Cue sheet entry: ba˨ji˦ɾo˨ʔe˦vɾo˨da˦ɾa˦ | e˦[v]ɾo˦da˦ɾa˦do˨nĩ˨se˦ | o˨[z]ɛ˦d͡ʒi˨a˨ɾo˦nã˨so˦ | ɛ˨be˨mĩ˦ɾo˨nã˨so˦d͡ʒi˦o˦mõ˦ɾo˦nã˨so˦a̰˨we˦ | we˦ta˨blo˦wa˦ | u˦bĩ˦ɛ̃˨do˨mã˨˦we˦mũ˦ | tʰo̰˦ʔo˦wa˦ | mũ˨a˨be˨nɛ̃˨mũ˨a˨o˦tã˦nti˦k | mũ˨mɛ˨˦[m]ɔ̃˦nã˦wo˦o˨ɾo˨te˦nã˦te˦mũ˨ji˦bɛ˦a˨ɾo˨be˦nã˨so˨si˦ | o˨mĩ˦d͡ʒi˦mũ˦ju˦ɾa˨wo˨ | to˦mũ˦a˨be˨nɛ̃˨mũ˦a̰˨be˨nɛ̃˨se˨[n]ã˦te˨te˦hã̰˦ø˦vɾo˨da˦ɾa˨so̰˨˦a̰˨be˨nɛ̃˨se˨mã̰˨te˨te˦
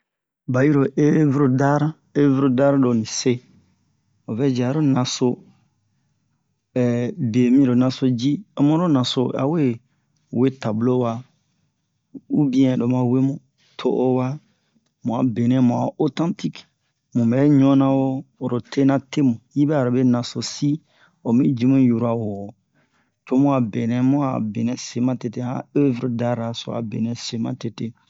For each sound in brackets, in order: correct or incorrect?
correct, incorrect: v, incorrect: ɲ, incorrect: m

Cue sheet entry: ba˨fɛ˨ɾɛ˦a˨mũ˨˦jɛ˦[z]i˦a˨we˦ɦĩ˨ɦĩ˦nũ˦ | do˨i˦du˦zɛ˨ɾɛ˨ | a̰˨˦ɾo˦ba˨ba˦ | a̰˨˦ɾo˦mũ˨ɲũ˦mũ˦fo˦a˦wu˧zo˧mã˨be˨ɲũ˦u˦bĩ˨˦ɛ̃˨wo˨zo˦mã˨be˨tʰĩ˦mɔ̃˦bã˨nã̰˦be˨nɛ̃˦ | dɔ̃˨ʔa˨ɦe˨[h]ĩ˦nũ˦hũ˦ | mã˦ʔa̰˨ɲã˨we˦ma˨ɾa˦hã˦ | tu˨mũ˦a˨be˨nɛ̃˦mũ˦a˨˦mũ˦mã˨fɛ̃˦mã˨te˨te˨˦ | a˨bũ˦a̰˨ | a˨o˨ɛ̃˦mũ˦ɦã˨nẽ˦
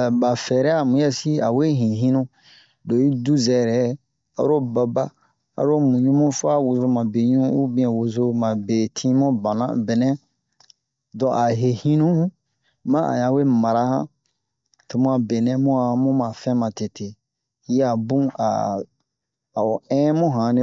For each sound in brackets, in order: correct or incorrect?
incorrect: s, correct

